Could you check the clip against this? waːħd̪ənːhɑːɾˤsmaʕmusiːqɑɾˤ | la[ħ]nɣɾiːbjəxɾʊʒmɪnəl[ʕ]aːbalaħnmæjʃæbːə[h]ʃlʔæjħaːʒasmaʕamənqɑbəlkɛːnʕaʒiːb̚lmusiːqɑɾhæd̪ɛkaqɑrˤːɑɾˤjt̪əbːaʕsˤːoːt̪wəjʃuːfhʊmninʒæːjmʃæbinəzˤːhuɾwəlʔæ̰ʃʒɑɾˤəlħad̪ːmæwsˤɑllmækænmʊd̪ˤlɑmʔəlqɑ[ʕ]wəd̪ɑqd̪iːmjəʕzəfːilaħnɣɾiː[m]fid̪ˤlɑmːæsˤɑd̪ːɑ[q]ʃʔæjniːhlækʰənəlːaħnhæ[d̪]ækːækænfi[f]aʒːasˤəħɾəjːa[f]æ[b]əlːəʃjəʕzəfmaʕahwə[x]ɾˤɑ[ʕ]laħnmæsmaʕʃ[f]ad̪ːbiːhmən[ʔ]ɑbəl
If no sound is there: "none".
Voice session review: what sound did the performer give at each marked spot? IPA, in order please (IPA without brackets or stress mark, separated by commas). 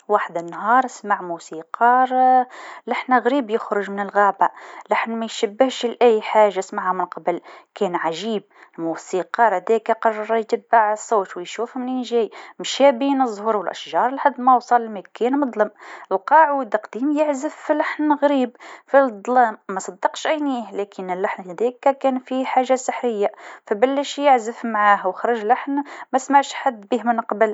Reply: ħ, ɣ, h, ʕ, b, q, d̪, ħ, f, b, x, ʒ, ħ, q